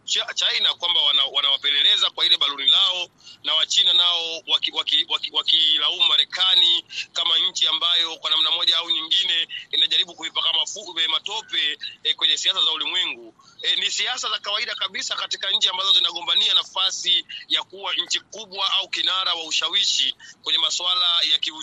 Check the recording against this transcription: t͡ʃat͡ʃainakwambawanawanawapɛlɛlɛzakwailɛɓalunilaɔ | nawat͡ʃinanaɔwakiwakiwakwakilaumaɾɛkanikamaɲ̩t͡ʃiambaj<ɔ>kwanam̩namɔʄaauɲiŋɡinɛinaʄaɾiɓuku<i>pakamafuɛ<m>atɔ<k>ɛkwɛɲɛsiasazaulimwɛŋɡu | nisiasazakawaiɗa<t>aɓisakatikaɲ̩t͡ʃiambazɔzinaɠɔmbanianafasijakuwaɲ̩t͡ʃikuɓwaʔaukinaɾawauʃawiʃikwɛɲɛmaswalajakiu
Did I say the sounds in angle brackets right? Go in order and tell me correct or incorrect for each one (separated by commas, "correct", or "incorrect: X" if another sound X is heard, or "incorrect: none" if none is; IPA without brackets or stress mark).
correct, correct, correct, incorrect: p, incorrect: k